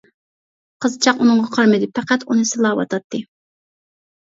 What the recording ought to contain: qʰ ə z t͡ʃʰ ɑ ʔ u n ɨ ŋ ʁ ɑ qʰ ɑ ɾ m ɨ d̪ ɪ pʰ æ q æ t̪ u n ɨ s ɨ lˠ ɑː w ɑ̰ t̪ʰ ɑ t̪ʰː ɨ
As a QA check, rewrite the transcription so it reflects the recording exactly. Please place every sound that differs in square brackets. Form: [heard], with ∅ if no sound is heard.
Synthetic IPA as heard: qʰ ə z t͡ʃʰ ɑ [q] u n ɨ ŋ ʁ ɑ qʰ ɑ ɾ m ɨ d̪ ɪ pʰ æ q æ t̪ u n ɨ s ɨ lˠ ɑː w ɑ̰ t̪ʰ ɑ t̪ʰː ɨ